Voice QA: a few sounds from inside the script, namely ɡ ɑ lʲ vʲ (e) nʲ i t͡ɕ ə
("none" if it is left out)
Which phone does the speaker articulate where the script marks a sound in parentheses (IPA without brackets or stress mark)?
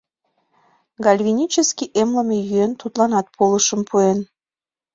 i